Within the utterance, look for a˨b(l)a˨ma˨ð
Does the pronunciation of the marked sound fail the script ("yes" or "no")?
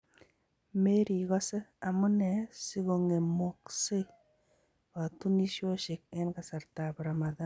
yes